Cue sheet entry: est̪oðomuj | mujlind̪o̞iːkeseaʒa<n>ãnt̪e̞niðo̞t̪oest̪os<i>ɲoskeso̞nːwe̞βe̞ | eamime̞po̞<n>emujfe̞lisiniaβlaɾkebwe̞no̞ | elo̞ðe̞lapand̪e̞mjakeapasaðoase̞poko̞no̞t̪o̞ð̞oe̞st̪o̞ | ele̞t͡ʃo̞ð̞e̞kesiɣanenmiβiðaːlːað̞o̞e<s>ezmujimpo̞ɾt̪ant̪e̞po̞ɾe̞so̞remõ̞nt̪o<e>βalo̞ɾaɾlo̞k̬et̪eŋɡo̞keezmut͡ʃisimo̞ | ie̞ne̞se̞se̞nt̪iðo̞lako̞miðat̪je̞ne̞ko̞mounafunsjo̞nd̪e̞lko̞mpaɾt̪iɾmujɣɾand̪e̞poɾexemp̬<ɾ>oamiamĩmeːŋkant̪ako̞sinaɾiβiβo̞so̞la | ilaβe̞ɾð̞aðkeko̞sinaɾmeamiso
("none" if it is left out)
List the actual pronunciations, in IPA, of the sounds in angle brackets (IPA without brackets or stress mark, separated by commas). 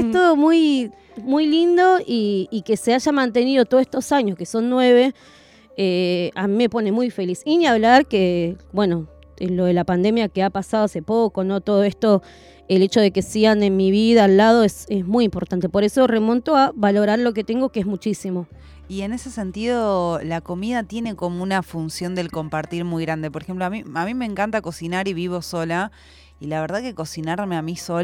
m, a, n, s, a, l